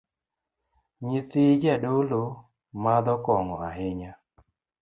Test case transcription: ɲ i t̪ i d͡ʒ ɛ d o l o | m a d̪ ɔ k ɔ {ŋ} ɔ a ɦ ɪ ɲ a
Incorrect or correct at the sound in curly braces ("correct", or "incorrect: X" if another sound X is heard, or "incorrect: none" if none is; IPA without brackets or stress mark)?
correct